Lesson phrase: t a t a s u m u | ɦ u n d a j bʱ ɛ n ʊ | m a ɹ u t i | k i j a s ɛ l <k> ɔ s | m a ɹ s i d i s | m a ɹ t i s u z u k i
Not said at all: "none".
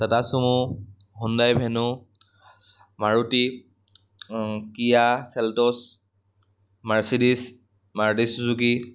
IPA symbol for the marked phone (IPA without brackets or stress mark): t